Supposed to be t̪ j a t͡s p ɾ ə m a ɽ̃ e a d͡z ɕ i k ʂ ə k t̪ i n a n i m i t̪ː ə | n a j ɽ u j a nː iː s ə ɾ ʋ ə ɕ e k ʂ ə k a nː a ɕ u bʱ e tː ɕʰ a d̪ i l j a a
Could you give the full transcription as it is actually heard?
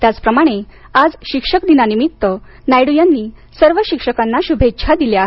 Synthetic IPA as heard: t̪ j a t͡s p ɾ ə m a ɽ̃ e a d͡z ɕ i k ʂ ə k d̪ i n a n i m i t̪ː ə | n a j ɽ u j a nː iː s ə ɾ ʋ ə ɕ i k ʂ ə k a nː a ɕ u bʱ e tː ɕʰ a d̪ i l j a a